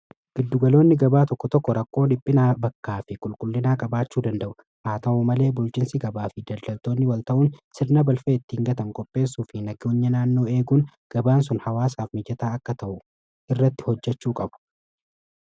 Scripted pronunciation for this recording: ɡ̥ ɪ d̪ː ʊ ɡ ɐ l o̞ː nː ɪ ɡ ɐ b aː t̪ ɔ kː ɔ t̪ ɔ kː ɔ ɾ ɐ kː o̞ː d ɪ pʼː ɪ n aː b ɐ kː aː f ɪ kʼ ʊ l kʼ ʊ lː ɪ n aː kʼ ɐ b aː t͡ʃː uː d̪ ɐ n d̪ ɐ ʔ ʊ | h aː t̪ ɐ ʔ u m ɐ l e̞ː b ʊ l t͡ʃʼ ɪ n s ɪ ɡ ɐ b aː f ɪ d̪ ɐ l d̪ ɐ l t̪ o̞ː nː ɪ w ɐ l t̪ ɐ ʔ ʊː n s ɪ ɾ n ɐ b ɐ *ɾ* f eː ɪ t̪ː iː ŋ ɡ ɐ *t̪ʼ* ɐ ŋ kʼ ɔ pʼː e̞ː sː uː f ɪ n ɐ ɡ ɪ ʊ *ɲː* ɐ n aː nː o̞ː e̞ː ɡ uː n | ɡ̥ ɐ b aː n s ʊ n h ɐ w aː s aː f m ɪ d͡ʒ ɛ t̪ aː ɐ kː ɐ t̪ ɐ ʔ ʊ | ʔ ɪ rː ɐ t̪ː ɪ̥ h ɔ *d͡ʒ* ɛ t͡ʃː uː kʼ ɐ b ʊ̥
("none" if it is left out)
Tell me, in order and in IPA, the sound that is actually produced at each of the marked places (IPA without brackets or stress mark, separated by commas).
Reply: l, t̪, ɲː, d͡ʒː